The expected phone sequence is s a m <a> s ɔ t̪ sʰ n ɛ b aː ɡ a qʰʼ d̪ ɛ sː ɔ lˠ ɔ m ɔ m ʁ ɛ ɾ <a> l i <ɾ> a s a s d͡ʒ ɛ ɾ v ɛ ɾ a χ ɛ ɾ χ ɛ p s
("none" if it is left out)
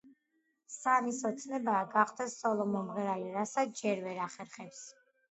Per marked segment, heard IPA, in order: i, a, ɾ

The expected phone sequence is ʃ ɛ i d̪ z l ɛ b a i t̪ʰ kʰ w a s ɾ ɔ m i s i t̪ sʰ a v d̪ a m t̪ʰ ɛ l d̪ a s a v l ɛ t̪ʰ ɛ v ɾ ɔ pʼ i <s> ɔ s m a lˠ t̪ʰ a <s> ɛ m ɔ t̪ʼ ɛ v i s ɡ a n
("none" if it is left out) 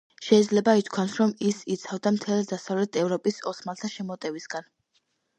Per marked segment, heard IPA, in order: s, ʃ

